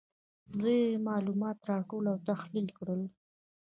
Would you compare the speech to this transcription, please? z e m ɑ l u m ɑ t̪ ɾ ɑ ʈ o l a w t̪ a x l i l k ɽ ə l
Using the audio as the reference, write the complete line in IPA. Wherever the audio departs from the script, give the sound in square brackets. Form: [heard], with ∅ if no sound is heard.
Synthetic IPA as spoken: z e m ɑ l u m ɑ t̪ ɾ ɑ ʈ o l a w t̪ a x l i l k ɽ ə l